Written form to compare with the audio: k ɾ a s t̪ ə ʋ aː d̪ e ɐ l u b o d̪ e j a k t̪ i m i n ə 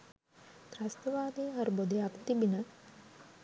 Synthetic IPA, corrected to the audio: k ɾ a s t̪ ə ʋ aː d̪ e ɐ ɾ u b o d̪ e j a k t̪ i b i n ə